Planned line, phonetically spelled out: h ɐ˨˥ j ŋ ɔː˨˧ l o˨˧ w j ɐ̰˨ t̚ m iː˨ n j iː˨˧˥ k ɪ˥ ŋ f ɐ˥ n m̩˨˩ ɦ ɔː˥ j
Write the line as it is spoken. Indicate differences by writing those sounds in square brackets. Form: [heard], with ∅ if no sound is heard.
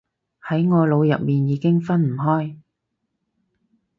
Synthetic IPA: h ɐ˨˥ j ŋ ɔː˨˧ l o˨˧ w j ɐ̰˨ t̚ m iː˨ n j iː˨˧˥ k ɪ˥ ŋ f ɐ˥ n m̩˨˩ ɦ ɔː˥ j

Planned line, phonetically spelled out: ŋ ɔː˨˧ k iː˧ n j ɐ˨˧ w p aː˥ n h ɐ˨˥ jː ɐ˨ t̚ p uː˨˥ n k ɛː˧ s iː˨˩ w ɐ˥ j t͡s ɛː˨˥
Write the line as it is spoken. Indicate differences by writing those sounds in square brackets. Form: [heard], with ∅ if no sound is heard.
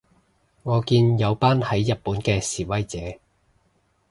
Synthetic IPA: ŋ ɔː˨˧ k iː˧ n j ɐ˨˧ w p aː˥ n h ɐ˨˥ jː ɐ˨ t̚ p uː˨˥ n k ɛː˧ s iː˨˩ w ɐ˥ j t͡s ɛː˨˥

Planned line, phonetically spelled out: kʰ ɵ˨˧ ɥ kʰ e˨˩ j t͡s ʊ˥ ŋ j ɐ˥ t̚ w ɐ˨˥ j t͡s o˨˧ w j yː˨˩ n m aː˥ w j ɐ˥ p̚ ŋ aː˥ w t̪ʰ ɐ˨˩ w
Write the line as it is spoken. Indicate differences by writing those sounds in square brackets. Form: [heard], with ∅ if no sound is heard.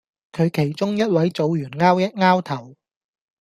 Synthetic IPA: kʰ ɵ˨˧ ɥ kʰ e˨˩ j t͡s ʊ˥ ŋ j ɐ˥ t̚ w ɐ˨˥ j t͡s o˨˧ w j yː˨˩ n [ŋ] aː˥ w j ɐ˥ [t̚] ŋ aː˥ w t̪ʰ ɐ˨˩ w

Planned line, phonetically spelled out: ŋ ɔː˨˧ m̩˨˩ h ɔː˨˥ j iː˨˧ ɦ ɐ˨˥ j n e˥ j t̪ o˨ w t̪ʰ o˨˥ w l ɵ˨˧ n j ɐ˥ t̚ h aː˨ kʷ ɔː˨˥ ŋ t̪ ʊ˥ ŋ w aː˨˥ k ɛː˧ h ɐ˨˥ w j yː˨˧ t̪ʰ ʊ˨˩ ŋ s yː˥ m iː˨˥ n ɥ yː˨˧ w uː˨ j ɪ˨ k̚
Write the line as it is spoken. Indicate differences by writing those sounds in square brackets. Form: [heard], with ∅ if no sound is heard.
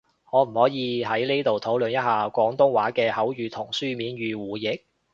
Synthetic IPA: ŋ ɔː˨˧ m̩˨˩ h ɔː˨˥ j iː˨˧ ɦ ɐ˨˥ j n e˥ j t̪ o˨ w t̪ʰ o˨˥ w l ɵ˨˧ n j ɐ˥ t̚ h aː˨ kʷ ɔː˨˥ ŋ t̪ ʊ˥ ŋ w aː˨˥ k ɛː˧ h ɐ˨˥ w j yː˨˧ t̪ʰ ʊ˨˩ ŋ s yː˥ m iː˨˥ n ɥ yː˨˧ w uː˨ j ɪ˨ k̚

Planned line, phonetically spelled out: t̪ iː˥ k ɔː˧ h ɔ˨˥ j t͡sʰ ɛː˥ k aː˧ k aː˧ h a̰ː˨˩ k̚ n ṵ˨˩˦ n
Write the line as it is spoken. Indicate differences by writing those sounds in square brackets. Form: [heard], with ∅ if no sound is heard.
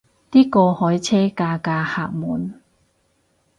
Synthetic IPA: t̪ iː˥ k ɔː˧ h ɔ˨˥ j t͡sʰ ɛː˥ k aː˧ k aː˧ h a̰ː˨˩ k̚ [m] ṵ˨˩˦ n

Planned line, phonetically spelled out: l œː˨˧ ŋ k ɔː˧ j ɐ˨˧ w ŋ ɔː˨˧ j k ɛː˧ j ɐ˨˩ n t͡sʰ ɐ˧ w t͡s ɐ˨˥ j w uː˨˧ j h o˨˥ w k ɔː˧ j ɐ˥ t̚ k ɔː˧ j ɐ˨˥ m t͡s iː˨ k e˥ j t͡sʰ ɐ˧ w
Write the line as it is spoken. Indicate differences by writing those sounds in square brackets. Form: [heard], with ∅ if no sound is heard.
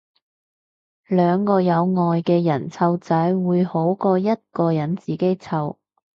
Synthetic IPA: l œː˨˧ ŋ k ɔː˧ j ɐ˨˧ w ŋ ɔː˨˧ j k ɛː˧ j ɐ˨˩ n t͡sʰ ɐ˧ w t͡s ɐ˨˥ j w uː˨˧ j h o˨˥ w k ɔː˧ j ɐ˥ t̚ k ɔː˧ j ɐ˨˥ [n] t͡s iː˨ k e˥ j t͡sʰ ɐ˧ w

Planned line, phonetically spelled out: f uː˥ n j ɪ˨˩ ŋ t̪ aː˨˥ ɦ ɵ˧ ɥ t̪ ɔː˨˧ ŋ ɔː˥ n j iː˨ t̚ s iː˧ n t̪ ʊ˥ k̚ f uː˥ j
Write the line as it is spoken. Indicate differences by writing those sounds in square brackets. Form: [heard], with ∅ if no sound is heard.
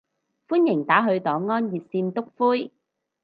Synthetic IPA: f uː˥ n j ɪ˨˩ ŋ t̪ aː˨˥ ɦ ɵ˧ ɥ t̪ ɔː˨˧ ŋ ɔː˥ n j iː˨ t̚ s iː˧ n t̪ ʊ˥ k̚ f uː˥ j

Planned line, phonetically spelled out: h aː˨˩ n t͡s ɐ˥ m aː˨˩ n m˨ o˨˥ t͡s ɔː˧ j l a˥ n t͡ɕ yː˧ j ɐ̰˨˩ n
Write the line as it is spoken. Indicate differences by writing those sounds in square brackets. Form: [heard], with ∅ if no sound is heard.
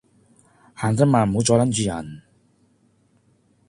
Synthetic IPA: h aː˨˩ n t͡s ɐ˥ m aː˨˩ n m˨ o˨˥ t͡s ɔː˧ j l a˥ n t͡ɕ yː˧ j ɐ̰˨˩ n

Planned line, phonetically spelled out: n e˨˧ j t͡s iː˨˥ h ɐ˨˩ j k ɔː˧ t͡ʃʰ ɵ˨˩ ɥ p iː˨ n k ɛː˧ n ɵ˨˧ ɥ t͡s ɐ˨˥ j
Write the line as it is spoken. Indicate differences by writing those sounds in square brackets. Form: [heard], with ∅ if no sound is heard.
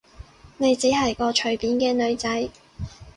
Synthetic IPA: n e˨˧ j t͡s iː˨˥ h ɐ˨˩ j k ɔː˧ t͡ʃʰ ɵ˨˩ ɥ p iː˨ n k ɛː˧ n ɵ˨˧ ɥ t͡s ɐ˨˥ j

